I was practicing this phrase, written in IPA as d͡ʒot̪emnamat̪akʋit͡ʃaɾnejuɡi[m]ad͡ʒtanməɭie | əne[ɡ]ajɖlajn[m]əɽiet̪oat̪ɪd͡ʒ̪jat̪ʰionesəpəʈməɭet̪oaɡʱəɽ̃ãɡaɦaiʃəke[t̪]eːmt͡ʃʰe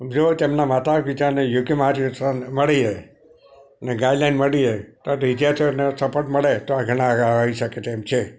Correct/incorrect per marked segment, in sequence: correct, correct, correct, correct

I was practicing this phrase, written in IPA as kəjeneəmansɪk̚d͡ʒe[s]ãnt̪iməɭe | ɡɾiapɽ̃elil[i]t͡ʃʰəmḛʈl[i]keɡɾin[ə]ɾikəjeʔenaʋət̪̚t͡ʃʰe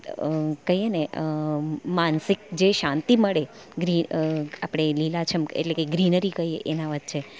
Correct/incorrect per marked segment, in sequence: incorrect: ʃ, incorrect: a, incorrect: e, correct

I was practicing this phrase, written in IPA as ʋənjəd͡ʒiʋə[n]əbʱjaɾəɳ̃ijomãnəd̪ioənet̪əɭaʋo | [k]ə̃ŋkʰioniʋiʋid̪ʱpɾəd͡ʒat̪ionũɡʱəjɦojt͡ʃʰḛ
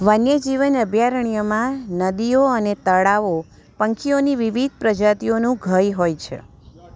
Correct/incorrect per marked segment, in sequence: correct, incorrect: p

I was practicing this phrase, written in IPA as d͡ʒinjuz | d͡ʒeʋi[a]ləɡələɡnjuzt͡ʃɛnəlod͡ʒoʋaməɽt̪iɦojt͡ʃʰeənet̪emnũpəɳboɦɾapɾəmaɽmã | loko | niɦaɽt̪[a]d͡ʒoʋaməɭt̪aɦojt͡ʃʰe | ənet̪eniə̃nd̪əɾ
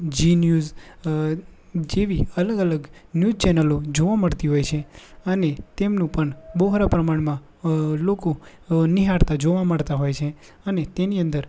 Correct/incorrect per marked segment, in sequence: incorrect: ə, correct

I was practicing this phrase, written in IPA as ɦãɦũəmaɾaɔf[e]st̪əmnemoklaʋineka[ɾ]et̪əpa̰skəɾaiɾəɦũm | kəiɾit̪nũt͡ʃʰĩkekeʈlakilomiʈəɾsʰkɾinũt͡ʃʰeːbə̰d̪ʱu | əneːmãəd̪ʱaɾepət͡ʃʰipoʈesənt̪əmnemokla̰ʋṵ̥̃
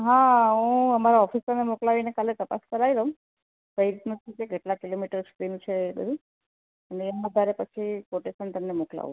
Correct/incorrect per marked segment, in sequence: incorrect: i, incorrect: l

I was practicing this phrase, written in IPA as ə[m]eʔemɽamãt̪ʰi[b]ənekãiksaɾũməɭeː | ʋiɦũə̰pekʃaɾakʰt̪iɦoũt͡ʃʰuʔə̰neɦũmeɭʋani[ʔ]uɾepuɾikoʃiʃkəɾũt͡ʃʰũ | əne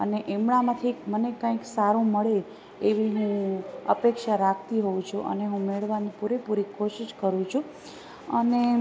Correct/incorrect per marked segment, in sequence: incorrect: n, incorrect: m, incorrect: p

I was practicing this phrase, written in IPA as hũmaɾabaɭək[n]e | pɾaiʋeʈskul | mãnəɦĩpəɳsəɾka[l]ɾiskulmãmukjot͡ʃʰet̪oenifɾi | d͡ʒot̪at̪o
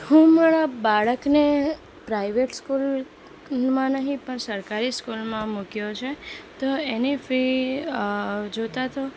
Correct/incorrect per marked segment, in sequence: correct, incorrect: none

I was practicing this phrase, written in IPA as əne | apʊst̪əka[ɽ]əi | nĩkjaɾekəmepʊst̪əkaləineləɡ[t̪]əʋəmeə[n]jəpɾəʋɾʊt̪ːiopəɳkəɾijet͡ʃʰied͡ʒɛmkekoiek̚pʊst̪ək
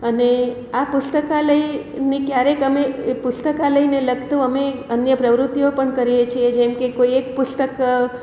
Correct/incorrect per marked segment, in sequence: incorrect: l, correct, correct

